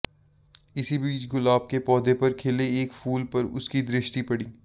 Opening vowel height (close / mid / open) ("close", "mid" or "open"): close